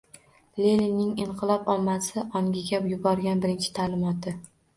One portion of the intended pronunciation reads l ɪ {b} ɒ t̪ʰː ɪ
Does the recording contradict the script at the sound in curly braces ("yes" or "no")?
yes